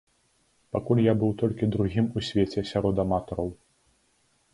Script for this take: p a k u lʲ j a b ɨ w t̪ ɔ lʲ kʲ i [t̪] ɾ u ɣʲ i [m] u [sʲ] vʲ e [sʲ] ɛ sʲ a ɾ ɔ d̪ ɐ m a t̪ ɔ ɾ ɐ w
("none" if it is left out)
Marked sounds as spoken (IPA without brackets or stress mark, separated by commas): d̪, m, sʲ, t͡sʲ